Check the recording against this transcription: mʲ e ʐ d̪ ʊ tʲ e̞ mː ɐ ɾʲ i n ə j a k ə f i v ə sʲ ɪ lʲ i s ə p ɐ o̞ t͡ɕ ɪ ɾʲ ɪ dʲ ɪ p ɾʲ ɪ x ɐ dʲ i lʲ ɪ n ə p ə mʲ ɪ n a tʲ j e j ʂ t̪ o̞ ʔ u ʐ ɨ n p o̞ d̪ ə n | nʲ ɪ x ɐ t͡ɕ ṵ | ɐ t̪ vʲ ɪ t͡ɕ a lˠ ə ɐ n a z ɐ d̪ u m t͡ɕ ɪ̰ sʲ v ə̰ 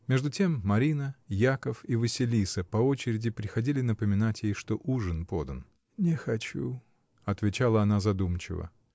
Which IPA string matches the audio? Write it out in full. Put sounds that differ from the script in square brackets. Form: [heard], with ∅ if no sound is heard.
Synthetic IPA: mʲ e ʐ d̪ ʊ tʲ e̞ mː ɐ ɾʲ i n ə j a k ə f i v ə sʲ ɪ lʲ i s ə p ɐ o̞ t͡ɕ ɪ ɾʲ ɪ dʲ ɪ p ɾʲ ɪ x ɐ dʲ i lʲ ɪ n ə p ə mʲ ɪ n a tʲ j e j ʂ t̪ o̞ ʔ u ʐ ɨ n p o̞ d̪ ə n | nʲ ɪ x ɐ t͡ɕ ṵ | ɐ t̪ vʲ ɪ t͡ɕ a lˠ ə ɐ n a z ɐ d̪ u m t͡ɕ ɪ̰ [∅] v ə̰